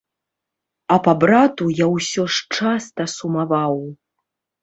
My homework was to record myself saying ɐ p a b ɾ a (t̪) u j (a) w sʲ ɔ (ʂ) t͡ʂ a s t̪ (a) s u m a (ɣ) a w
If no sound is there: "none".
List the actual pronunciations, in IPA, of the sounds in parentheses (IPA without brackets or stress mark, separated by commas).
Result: t̪, a, ʂ, ɐ, v